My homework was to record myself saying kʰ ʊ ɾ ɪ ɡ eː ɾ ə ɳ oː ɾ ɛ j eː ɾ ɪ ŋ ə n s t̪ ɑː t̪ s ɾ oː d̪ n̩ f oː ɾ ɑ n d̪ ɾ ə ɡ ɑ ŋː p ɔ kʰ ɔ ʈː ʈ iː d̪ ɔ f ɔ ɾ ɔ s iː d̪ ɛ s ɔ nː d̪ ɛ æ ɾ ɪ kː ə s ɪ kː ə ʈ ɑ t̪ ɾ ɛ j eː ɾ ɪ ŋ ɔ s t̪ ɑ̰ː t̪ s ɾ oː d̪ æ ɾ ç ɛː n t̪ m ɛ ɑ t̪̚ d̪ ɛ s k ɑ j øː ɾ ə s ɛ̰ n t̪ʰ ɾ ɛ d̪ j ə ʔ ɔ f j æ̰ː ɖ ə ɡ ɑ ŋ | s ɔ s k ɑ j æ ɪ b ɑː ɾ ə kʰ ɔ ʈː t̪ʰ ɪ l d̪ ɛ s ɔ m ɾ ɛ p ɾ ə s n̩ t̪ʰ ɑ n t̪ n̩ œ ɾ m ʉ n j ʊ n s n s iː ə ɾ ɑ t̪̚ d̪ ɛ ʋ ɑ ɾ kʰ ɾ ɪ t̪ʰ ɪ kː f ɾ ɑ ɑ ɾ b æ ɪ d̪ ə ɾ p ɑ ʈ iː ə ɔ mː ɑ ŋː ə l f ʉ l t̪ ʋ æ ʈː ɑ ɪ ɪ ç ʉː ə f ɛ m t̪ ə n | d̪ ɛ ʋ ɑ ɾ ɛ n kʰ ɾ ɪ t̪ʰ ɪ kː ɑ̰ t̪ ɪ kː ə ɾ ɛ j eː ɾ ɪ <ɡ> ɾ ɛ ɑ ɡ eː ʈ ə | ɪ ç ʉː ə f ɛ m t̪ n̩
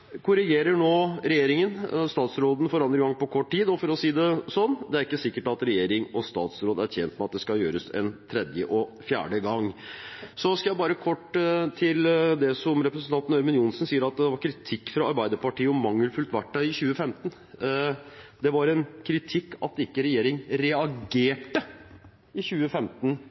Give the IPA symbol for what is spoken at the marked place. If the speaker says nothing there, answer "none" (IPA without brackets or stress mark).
ŋ